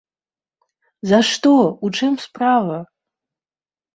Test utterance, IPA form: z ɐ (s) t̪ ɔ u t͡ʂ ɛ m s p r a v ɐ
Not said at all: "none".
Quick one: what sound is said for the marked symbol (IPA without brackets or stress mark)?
ʂ